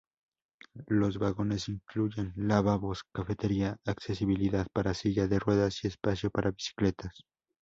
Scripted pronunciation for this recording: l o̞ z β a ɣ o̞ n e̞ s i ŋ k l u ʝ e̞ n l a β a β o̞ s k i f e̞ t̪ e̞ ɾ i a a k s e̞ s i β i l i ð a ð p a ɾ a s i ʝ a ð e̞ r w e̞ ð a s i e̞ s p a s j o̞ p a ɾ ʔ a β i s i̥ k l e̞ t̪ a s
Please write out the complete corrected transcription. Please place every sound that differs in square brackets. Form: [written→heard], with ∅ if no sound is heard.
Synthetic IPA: l o̞ z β a ɣ o̞ n e̞ s i ŋ k l u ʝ e̞ n l a β a β o̞ s k [i→a] f e̞ t̪ e̞ ɾ i a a k s e̞ s i β i l i ð a ð p a ɾ a s i ʝ a ð e̞ r w e̞ ð a s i e̞ s p a s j o̞ p a ɾ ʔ a β i s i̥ k l e̞ t̪ a s